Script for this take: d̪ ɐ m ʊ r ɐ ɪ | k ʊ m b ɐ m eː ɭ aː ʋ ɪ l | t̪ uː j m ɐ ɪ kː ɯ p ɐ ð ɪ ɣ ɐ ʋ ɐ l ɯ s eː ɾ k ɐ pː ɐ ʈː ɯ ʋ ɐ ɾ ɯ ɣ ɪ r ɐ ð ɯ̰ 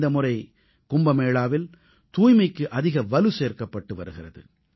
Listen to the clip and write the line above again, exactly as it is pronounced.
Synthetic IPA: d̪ ɐ m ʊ r ɐ ɪ | k ʊ m b ɐ m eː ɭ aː ʋ ɪ l | t̪ uː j m ɐ ɪ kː ɯ ʔ ɐ ð ɪ ɣ ɐ ʋ ɐ l ɯ s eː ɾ k ɐ pː ɐ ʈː ɯ ʋ ɐ ɾ ɯ ɣ ɪ r ɐ ð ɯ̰

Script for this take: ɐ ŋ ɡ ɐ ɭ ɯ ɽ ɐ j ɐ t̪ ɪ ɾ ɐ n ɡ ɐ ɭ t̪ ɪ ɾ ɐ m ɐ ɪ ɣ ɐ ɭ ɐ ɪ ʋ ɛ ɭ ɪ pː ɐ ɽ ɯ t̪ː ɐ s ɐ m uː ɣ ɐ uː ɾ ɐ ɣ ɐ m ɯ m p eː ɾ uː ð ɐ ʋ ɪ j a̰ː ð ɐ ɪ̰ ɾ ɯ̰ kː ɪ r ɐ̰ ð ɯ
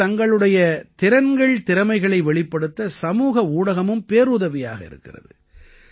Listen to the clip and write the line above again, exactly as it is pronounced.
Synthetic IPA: ɐ ŋ ɡ ɐ ɭ ɯ ɽ ɐ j ɐ t̪ ɪ ɾ ɐ n ɡ ɐ ɭ t̪ ɪ ɾ ɐ m ɐ ɪ ɣ ɐ ɭ ɐ ɪ ʋ ɛ ɭ ɪ pː ɐ ɽ ɯ t̪ː ɐ s ɐ m uː ɣ ɐ uː ɽ ɐ ɣ ɐ m ɯ m p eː ɾ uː ð ɐ ʋ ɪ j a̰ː ɣ ɐ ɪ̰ ɾ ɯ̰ kː ɪ r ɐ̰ ð ɯ

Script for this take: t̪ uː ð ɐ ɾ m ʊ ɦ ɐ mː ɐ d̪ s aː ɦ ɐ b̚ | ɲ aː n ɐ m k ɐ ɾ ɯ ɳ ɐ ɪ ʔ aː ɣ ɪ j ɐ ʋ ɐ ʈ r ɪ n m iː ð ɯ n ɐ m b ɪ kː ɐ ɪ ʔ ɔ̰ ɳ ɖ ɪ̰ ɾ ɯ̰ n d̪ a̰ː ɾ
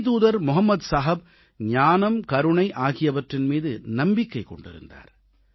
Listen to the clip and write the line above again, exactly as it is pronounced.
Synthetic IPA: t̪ uː ð ɐ ɾ m ʊ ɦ ɐ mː ɐ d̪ s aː ɦ ɐ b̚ | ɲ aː n ɐ m k ɐ ɾ ɯ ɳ ɐ ɪ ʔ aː ɣ ɪ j ɐ ʋ ɐ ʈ r ɪ n m iː ð ɯ n ɐ m b ɪ kː ɐ ɪ k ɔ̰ ɳ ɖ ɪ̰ ɾ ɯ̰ n d̪ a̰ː ɾ

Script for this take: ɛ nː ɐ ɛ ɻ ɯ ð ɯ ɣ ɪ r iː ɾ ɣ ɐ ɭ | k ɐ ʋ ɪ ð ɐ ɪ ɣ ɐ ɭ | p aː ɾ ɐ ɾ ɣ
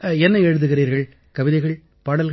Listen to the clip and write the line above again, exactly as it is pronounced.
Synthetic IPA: ɛ nː ɐ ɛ ɻ ɯ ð ɯ ɣ ɪ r iː ɾ ɣ ɐ ɭ | k ɐ ʋ ɪ ð ɐ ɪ ɣ ɐ ɭ | p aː ɽ ɐ l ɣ

